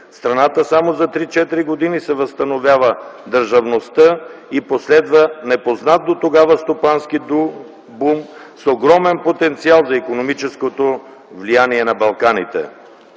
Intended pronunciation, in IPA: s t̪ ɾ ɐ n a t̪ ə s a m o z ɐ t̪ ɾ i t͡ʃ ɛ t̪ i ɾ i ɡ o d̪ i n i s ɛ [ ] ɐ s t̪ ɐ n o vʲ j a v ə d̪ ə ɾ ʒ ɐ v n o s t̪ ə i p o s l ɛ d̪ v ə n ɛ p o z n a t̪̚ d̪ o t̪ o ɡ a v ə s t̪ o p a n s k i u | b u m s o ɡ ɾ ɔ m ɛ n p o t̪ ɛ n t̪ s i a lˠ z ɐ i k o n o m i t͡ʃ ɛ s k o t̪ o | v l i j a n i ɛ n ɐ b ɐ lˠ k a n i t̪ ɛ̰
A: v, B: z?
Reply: A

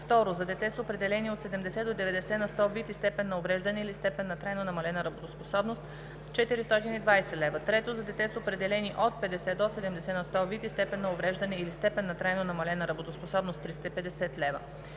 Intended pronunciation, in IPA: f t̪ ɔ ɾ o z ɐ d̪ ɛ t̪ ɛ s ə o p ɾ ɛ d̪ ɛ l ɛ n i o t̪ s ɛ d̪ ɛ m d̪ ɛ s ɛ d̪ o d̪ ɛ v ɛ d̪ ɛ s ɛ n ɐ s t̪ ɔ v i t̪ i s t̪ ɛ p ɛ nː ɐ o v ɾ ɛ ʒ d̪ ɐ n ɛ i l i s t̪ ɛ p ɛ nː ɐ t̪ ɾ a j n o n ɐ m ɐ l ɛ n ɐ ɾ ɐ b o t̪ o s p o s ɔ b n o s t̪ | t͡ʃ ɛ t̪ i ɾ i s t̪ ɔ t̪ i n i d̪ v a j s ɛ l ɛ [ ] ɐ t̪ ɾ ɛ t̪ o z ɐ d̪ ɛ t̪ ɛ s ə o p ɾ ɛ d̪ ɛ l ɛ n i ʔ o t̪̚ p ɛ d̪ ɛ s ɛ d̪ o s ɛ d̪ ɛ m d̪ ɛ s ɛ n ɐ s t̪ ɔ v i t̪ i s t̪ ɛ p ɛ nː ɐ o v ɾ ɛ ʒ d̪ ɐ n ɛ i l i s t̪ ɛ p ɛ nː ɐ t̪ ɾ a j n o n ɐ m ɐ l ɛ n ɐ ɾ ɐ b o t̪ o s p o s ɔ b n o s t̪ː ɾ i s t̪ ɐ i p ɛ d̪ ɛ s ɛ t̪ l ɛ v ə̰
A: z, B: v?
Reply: B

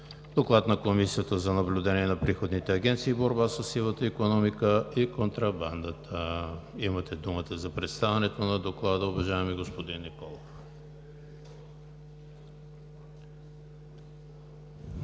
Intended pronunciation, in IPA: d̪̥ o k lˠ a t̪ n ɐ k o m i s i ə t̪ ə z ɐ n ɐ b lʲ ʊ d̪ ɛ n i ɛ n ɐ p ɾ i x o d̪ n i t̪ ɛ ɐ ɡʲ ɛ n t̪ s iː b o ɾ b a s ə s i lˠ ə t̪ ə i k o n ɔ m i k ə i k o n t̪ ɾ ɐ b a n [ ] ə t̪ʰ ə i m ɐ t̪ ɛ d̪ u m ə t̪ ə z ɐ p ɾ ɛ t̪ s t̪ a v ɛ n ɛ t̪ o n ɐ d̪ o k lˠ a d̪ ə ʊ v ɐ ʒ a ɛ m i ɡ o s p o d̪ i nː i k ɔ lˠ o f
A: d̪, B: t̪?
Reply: A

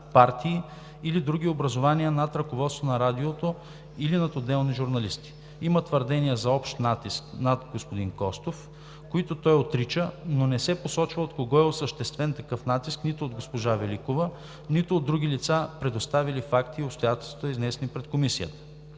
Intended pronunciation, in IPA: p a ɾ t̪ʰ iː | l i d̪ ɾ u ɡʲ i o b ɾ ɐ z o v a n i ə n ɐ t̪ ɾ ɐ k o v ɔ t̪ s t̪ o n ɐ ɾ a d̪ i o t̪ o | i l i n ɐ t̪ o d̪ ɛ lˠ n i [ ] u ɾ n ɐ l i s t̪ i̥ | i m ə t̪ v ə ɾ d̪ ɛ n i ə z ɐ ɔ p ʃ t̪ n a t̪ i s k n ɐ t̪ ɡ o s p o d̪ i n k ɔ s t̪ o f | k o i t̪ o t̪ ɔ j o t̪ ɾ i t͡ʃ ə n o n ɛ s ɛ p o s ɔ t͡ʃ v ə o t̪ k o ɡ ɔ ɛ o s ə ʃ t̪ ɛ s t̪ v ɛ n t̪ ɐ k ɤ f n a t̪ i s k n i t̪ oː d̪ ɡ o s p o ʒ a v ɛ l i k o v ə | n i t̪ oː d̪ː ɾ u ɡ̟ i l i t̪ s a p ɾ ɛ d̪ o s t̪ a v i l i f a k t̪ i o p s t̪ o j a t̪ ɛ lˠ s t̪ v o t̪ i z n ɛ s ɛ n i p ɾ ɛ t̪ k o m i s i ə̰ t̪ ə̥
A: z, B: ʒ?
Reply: B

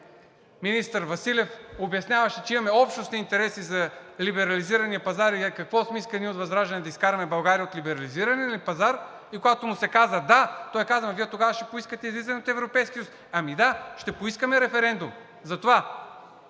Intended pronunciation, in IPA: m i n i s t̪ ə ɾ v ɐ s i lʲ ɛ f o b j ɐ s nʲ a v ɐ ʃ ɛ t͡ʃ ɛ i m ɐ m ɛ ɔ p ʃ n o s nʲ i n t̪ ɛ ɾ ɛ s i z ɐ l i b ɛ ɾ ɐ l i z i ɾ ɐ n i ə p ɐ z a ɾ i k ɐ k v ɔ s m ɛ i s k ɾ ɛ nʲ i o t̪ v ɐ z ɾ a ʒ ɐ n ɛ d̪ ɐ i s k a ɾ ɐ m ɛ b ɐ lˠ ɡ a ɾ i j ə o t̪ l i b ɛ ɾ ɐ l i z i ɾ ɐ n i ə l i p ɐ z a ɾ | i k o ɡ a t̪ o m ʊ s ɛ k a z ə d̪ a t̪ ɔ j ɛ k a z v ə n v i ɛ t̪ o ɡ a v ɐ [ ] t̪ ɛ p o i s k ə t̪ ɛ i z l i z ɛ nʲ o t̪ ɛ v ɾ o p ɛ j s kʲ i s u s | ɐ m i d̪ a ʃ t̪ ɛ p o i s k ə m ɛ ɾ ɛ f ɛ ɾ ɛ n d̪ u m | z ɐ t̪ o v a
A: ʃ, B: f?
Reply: A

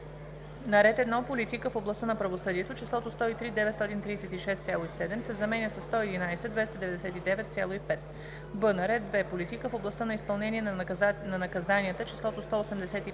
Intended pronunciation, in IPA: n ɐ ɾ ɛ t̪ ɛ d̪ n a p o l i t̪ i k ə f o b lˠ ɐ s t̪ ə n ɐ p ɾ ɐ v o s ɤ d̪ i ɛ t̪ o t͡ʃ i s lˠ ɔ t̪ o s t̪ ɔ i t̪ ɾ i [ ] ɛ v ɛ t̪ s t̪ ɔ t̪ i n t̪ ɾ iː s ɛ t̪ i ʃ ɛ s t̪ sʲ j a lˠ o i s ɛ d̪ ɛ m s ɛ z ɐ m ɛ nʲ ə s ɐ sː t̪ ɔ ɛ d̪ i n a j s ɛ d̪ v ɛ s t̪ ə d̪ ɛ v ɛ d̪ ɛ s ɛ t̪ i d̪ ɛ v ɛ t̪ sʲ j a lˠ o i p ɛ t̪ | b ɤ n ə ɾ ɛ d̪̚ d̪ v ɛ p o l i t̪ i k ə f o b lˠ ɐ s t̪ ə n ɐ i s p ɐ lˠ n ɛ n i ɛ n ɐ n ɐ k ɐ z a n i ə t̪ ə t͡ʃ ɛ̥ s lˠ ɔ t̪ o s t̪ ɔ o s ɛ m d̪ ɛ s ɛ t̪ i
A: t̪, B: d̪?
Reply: B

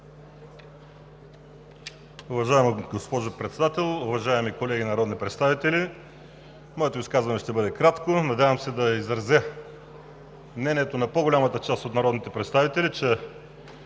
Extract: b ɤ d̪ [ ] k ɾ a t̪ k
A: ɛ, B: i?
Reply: A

